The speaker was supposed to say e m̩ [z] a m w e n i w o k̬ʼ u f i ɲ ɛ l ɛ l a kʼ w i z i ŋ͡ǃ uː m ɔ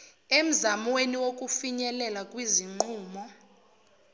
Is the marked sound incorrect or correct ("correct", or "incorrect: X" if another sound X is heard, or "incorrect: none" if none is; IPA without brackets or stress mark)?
correct